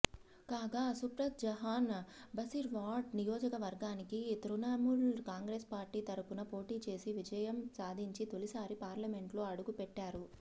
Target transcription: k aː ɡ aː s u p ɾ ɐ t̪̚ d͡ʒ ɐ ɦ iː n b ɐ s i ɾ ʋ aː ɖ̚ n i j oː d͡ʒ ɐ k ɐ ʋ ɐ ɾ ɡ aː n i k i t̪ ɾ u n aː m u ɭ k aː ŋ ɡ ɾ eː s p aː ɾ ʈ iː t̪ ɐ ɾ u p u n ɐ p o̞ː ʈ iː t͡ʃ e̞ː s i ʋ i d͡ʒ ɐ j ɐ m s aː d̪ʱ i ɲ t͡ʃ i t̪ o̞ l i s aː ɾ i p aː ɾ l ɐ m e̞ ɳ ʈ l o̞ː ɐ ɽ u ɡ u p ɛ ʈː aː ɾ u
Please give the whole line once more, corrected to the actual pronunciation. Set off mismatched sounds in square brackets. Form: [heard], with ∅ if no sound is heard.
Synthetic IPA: k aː ɡ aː s u p ɾ ɐ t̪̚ d͡ʒ ɐ ɦ [aː] n b ɐ s i ɾ ʋ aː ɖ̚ n i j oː d͡ʒ ɐ k ɐ ʋ ɐ ɾ ɡ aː n i k i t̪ ɾ u n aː m u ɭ k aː ŋ ɡ ɾ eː s p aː ɾ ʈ iː t̪ ɐ ɾ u p u n ɐ p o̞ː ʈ iː t͡ʃ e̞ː s i ʋ i d͡ʒ ɐ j ɐ m s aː d̪ʱ i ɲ t͡ʃ i t̪ o̞ l i s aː ɾ i p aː ɾ l ɐ m e̞ ɳ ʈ l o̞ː ɐ ɽ u ɡ u p ɛ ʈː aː ɾ u